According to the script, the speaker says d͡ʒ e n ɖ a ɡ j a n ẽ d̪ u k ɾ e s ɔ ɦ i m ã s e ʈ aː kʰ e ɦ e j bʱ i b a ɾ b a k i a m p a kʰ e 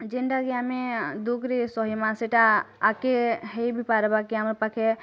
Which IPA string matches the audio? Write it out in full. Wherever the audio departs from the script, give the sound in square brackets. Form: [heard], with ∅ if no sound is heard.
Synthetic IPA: d͡ʒ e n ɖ a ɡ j a [m] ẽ d̪ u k ɾ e s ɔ ɦ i m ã s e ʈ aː [k] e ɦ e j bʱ i [p] a ɾ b a k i a m p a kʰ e